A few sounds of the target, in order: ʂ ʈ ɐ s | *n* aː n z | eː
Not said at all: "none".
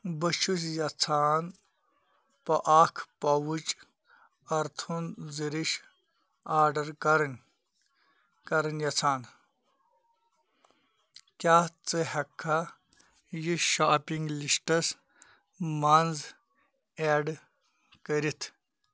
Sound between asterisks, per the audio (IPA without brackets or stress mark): m